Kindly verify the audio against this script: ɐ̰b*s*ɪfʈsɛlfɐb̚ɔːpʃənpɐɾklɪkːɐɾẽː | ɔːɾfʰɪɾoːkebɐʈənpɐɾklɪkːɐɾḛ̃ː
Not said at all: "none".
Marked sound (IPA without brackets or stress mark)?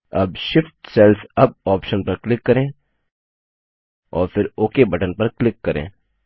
ʃ